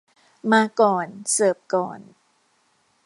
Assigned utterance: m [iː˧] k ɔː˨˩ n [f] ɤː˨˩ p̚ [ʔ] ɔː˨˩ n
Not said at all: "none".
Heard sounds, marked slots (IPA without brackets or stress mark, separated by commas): aː˧, s, k